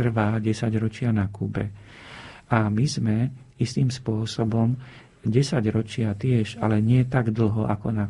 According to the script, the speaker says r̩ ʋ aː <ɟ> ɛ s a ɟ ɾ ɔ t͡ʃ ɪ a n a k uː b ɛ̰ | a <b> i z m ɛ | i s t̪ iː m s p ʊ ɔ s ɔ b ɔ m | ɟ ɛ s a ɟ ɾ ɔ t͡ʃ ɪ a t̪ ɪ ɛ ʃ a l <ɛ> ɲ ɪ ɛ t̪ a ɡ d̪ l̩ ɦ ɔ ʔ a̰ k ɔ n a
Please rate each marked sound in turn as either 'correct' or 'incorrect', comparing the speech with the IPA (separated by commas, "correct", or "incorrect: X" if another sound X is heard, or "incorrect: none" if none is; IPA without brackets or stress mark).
correct, incorrect: m, correct